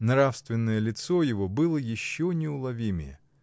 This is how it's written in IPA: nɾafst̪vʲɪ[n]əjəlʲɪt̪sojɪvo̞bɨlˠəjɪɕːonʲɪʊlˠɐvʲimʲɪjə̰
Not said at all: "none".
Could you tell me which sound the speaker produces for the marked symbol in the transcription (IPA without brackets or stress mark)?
nː